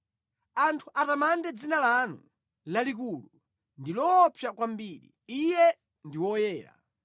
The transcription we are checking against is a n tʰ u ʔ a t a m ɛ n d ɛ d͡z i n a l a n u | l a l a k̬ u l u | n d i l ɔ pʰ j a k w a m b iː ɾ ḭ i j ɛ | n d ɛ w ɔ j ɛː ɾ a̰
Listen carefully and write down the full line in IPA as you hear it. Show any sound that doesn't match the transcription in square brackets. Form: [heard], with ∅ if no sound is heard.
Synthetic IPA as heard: a n tʰ u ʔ a t a m [a] n d ɛ d͡z i n a l a n u | l a l [i] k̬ u l u | n d i l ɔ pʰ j a k w a m b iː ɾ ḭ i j ɛ | n d [i] w ɔ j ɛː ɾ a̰